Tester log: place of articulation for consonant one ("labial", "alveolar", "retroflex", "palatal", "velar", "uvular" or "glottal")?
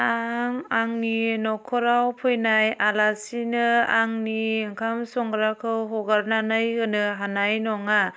velar